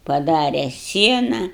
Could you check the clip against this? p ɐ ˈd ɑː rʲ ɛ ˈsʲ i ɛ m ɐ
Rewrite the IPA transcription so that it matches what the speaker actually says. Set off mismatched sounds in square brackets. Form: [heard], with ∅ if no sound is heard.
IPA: p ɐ ˈd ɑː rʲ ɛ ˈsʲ i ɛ [n] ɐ